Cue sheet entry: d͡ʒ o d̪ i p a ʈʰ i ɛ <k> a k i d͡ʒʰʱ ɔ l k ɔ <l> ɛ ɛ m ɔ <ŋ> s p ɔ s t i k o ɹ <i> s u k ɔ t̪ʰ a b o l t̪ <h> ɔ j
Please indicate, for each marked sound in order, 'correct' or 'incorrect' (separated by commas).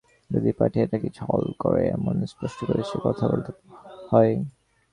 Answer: incorrect, incorrect, incorrect, correct, correct